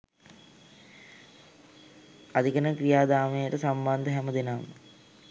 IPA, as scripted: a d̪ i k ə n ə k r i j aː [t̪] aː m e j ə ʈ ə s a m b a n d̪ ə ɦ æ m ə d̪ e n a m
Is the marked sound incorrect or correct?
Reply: incorrect